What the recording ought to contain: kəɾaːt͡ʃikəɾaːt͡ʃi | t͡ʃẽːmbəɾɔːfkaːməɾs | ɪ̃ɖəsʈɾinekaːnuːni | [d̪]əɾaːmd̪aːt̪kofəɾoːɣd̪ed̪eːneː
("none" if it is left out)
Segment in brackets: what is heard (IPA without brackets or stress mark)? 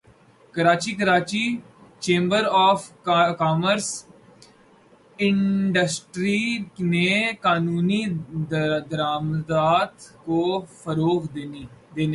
d̪